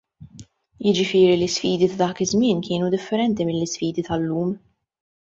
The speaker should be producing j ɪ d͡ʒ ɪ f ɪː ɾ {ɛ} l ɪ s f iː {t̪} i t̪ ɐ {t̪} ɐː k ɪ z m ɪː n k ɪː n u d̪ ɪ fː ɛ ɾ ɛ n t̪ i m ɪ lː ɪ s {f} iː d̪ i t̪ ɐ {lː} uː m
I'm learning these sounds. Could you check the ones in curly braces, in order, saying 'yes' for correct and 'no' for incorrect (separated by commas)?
no, no, no, yes, yes